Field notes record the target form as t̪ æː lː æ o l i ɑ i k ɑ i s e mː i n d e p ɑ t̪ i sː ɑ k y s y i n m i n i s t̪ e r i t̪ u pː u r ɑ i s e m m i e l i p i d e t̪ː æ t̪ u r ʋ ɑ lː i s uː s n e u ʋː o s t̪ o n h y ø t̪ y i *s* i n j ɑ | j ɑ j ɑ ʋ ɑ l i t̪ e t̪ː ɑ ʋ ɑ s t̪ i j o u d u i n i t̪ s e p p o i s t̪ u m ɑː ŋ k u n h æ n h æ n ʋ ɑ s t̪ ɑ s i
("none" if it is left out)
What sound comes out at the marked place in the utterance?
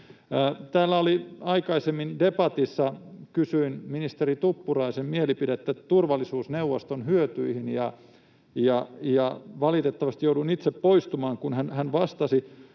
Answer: h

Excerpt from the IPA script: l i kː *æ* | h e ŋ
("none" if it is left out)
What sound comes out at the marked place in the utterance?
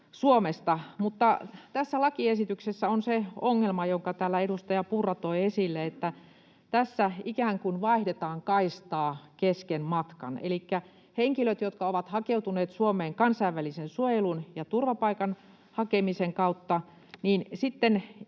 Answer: æ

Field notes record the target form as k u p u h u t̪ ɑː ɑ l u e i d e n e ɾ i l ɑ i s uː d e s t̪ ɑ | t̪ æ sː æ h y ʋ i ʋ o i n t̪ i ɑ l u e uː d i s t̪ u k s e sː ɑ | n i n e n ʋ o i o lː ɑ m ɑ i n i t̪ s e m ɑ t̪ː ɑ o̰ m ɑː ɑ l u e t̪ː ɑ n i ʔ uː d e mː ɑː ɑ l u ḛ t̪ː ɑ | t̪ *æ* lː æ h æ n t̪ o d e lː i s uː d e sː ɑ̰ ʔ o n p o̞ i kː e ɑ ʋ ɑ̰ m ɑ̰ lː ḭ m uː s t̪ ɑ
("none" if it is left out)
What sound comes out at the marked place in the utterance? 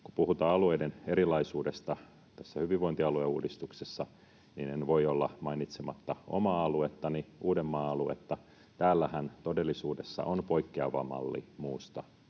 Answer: æː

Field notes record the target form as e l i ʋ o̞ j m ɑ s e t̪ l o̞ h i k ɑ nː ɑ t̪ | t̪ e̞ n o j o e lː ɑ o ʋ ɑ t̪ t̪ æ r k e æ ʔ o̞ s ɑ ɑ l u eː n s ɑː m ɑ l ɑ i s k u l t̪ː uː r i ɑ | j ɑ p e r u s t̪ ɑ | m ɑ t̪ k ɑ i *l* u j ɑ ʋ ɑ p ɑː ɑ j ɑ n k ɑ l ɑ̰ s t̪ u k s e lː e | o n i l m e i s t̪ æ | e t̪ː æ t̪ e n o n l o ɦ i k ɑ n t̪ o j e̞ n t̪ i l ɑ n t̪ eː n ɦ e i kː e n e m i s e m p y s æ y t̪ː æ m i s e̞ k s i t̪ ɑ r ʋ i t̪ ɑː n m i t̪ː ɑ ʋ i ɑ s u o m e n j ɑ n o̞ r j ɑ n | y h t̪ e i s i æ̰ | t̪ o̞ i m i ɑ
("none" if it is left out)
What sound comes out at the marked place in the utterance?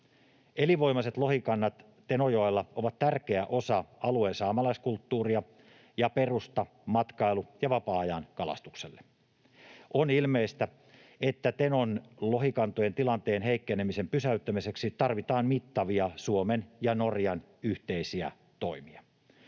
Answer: l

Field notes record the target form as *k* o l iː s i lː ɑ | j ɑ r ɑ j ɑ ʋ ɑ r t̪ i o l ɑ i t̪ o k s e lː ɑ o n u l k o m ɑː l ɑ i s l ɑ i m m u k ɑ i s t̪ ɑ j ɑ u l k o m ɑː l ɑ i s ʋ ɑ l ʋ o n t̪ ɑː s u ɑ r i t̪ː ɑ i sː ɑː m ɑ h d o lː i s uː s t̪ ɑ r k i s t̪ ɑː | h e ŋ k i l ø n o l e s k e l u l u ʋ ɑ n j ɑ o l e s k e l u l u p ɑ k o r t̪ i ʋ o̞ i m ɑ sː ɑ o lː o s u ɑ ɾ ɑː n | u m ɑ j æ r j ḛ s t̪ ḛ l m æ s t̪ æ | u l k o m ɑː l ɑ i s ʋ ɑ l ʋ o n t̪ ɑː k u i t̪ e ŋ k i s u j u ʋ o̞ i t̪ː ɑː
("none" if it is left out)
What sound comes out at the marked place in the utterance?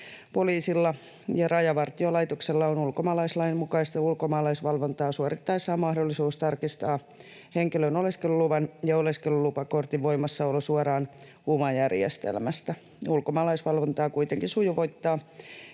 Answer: p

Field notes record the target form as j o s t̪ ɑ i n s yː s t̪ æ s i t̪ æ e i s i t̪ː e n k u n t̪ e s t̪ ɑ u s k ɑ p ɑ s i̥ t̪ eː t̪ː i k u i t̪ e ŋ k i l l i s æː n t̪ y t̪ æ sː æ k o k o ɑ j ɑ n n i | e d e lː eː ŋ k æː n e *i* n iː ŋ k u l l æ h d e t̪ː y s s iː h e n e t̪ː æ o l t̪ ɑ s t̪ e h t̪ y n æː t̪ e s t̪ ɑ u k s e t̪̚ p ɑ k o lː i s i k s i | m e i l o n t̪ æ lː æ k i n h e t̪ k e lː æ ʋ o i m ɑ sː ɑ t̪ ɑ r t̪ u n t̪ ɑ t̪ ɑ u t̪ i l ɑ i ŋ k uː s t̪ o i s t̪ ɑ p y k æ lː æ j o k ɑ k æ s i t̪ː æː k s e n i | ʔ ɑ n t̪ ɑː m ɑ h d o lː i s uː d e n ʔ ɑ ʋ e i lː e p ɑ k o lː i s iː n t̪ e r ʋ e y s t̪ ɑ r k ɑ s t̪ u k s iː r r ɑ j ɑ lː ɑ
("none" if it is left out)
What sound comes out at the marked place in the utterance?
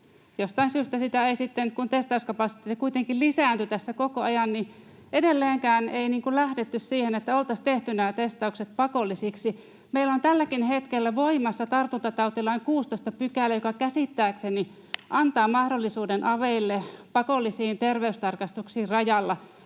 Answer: i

